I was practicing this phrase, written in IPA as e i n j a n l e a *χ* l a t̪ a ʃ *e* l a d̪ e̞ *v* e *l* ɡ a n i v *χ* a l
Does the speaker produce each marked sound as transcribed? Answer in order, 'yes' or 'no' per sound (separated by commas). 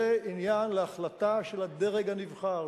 yes, yes, no, no, yes